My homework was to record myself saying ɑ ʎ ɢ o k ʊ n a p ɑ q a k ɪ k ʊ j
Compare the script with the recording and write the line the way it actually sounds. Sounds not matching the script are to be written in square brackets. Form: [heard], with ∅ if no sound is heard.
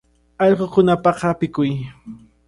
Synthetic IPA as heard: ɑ ʎ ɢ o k ʊ n a p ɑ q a [p] ɪ k ʊ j